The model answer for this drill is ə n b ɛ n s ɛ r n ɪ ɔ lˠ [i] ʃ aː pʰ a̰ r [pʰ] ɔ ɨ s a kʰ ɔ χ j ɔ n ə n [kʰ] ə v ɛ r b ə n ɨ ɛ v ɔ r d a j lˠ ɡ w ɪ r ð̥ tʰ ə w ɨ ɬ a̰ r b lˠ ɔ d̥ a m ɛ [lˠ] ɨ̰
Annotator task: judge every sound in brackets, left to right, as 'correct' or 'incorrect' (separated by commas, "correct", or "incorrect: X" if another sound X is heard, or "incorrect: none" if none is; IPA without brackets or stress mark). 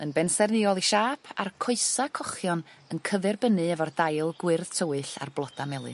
correct, incorrect: kʰ, correct, correct